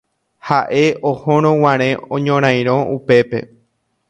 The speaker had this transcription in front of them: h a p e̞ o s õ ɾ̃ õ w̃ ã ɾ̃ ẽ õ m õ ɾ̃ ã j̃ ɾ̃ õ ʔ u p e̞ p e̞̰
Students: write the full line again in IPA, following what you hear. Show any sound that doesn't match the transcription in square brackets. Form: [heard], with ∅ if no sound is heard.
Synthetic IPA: h a [ʔ] e̞ o [h] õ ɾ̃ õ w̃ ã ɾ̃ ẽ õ [ɲ] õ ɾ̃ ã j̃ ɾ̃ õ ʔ u p e̞ p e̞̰